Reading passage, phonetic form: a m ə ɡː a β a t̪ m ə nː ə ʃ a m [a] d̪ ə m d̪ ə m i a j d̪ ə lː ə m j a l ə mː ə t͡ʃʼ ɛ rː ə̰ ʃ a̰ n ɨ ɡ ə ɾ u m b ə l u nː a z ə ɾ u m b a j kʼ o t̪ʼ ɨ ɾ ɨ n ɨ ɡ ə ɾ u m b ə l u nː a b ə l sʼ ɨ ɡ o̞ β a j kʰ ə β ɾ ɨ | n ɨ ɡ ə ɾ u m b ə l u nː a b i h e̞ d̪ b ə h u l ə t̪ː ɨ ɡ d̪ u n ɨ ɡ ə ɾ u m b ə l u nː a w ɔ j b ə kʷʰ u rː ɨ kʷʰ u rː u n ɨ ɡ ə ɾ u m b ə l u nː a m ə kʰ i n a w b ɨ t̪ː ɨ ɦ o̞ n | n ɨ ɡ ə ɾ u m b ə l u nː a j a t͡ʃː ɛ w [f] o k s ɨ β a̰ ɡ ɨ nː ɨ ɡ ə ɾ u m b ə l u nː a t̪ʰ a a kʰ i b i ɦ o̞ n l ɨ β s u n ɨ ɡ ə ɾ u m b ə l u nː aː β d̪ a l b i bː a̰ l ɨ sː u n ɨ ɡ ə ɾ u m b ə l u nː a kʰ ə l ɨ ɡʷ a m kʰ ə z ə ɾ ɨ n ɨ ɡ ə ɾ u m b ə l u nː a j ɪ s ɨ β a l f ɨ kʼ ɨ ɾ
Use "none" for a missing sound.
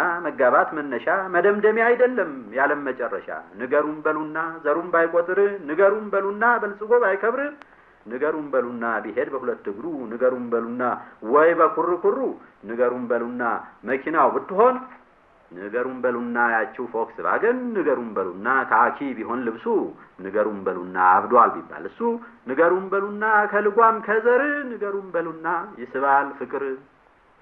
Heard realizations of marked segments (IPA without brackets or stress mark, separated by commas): ə, f